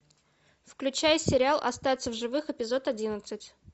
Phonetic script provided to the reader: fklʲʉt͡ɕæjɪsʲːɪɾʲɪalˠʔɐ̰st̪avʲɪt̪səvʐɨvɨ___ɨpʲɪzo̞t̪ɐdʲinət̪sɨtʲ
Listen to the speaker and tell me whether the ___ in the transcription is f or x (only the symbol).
x